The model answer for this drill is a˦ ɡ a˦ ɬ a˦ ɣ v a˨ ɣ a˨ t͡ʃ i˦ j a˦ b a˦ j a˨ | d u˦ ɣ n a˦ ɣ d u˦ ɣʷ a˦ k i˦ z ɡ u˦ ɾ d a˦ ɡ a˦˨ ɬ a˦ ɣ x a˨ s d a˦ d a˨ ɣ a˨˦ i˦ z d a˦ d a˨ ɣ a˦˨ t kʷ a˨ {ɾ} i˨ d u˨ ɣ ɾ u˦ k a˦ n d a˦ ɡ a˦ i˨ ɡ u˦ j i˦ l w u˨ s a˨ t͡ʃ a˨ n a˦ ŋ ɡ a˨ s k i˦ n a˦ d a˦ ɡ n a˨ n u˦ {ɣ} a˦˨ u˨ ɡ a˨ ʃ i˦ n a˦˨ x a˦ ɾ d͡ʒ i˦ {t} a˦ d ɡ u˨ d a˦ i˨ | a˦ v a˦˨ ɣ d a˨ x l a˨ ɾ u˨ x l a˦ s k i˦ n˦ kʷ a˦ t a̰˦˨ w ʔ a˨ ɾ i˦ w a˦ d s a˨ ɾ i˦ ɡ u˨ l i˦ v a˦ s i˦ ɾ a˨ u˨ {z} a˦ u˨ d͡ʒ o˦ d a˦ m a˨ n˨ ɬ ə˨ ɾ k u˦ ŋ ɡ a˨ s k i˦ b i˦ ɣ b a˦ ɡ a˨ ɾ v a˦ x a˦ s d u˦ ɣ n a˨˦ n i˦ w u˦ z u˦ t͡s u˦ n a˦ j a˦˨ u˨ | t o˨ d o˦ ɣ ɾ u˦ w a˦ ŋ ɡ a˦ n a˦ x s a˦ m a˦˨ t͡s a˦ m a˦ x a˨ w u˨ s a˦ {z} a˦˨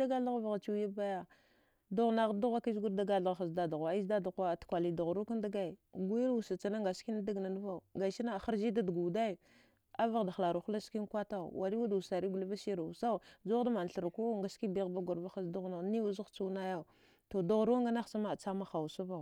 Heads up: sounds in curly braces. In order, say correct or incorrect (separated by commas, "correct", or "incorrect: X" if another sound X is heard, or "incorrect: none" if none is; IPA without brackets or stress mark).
incorrect: l, incorrect: v, incorrect: d, incorrect: s, incorrect: v